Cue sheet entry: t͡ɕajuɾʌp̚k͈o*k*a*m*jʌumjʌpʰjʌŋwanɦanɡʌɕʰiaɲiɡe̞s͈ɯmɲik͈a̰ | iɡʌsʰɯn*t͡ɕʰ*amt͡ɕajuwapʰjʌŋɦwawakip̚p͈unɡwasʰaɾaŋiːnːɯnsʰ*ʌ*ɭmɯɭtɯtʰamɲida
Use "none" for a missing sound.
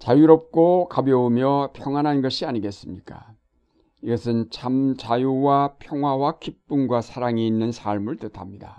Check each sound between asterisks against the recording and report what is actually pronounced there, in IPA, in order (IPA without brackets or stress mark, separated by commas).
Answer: k, b, t͡ɕʰ, a